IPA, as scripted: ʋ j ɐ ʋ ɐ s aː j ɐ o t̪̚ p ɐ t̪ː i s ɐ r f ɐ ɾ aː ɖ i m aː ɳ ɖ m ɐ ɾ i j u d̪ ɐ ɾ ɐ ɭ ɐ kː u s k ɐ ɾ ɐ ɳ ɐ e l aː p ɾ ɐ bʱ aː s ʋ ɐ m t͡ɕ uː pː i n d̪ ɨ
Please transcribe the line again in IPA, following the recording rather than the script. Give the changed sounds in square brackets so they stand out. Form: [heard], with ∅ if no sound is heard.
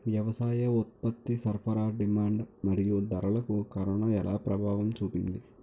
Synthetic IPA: ʋ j ɐ ʋ ɐ s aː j ɐ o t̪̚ p ɐ t̪ː i s ɐ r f ɐ ɾ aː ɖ i m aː ɳ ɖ m ɐ ɾ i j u d̪ ɐ ɾ ɐ ɭ ɐ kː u [∅] k ɐ ɾ ɐ ɳ ɐ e l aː p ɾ ɐ bʱ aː [∅] ʋ ɐ m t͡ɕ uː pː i n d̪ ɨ